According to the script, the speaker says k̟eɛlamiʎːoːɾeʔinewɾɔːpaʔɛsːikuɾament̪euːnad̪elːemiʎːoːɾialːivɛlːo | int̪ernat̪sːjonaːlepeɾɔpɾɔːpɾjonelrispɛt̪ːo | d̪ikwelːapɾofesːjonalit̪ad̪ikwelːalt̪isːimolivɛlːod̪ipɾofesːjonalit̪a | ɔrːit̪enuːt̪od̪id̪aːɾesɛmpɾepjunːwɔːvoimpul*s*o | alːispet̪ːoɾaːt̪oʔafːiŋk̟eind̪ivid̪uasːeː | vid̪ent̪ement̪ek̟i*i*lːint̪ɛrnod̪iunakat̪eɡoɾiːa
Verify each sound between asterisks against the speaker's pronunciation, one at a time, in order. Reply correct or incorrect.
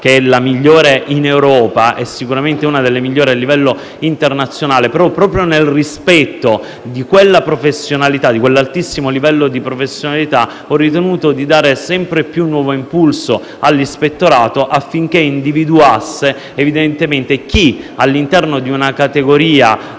correct, incorrect

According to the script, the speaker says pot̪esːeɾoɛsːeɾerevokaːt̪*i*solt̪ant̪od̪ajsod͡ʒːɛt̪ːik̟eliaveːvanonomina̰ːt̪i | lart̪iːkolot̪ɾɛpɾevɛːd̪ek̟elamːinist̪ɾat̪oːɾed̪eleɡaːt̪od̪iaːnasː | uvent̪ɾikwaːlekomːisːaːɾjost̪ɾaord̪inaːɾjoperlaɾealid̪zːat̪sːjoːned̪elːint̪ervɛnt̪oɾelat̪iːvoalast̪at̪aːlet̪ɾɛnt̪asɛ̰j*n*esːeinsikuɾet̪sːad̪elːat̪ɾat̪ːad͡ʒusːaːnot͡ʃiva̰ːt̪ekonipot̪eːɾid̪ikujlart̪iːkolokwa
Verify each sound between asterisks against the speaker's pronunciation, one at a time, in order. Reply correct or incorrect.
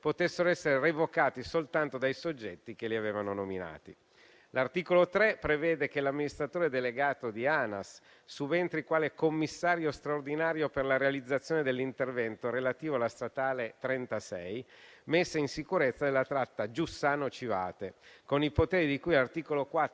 correct, incorrect

